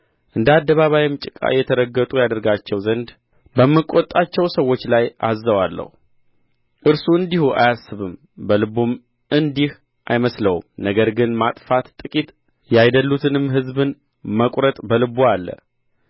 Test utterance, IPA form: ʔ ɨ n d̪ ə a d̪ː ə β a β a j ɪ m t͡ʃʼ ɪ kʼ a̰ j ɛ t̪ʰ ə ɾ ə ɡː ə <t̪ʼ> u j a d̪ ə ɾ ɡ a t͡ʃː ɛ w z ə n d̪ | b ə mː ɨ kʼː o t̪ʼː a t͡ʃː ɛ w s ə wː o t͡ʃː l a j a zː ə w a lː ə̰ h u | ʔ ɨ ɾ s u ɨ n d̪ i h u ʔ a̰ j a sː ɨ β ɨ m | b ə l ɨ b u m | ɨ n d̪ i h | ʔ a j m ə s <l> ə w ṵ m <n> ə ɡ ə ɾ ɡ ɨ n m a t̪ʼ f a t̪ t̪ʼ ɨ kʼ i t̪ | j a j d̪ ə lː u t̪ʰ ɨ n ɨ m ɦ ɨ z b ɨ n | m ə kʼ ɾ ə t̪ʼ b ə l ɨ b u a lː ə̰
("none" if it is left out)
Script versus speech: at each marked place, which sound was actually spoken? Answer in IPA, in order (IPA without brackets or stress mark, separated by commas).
t̪ʼ, l, n